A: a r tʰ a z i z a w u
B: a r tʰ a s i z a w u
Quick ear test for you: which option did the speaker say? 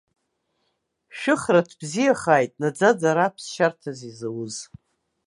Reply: A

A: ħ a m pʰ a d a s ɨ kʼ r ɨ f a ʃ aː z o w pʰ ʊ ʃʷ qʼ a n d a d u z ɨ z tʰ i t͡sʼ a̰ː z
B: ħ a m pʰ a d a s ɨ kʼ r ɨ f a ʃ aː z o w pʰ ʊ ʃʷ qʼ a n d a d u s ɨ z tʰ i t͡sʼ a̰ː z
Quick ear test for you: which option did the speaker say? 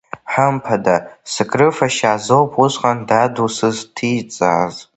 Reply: B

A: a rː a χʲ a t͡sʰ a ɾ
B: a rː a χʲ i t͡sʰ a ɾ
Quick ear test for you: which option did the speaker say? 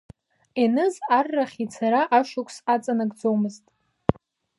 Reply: B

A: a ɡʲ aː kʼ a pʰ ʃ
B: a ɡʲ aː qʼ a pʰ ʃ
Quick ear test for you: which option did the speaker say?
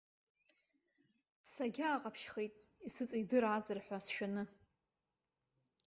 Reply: B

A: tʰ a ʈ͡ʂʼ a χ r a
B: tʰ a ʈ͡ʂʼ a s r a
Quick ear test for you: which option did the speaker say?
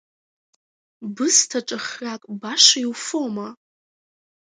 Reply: A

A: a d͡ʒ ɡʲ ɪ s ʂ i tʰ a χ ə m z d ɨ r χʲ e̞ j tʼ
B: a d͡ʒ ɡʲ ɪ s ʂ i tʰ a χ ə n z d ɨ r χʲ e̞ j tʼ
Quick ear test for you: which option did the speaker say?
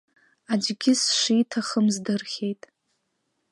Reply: A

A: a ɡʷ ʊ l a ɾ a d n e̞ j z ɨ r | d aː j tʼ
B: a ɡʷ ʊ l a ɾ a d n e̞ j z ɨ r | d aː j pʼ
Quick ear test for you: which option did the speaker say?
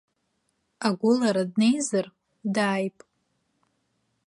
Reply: B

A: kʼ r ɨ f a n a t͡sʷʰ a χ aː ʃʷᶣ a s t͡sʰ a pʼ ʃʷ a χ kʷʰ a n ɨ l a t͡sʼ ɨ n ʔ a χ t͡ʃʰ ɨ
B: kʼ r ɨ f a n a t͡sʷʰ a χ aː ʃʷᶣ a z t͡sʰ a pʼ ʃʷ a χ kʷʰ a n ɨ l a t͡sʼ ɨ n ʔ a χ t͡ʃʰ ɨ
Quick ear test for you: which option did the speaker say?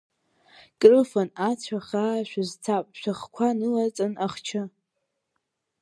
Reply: B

